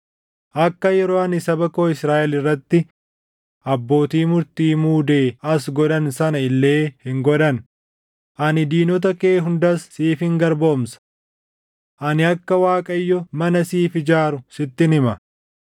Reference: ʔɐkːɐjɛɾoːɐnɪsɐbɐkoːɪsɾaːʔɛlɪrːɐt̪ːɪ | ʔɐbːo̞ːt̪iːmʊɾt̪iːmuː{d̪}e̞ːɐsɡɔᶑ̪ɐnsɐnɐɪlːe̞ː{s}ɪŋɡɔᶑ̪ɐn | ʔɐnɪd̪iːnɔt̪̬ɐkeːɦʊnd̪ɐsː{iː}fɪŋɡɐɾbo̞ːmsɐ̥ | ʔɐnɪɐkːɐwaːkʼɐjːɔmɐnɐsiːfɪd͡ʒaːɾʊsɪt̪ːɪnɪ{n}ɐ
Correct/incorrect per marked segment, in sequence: correct, incorrect: h, correct, incorrect: m

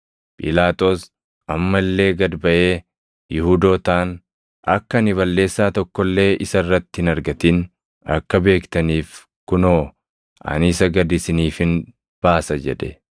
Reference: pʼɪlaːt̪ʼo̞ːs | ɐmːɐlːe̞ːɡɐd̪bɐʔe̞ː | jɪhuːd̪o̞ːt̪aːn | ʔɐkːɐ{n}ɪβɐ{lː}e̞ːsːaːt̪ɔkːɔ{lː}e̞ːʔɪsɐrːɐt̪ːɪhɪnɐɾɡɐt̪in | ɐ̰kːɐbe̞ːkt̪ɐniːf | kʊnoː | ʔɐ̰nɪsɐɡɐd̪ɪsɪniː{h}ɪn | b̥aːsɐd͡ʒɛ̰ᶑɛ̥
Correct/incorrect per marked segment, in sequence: correct, correct, correct, incorrect: f

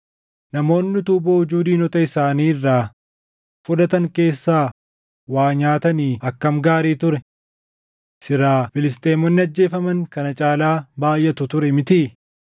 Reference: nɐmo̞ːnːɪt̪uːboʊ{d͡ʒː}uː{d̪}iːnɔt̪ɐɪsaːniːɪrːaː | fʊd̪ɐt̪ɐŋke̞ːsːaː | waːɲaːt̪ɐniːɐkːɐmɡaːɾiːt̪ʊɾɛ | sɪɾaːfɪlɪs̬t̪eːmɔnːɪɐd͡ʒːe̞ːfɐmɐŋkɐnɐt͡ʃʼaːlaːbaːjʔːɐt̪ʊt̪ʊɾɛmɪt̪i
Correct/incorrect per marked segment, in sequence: incorrect: d͡ʒ, correct

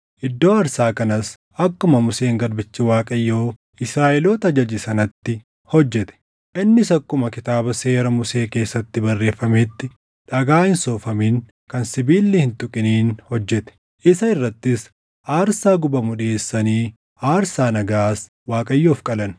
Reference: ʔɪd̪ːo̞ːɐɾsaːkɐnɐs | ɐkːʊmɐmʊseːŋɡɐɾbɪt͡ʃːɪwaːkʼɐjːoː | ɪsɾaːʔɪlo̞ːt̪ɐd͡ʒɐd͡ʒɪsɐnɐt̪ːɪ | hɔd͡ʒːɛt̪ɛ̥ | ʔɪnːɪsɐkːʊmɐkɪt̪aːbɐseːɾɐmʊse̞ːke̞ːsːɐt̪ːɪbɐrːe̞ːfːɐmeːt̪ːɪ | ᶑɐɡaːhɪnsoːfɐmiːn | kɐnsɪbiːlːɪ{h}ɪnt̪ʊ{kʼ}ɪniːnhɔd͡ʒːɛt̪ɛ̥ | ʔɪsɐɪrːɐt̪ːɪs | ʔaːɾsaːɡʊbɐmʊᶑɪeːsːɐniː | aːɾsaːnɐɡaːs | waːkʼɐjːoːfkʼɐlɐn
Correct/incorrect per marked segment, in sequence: correct, correct

